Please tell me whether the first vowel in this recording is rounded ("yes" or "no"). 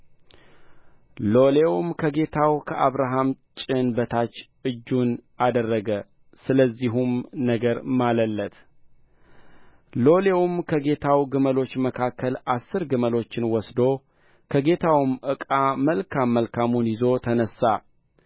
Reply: yes